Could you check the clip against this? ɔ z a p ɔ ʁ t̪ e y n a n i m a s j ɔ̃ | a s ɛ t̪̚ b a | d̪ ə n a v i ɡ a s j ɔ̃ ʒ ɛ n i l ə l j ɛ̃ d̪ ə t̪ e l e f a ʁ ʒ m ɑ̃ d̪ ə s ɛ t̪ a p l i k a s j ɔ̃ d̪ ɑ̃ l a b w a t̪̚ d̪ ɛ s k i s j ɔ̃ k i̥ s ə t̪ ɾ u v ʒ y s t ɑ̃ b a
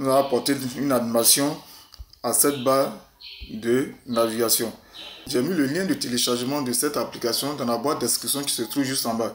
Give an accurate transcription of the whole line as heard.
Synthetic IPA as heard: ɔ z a p ɔ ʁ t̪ e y n a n i m a s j ɔ̃ | a s ɛ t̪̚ b a | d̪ ə n a v i ɡ a s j ɔ̃ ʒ ɛ m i l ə l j ɛ̃ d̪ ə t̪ e l e ʃ a ʁ ʒ m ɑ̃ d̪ ə s ɛ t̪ a p l i k a s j ɔ̃ d̪ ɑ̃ l a b w a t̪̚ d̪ ɛ s k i s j ɔ̃ k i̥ s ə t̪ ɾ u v ʒ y s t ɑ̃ b a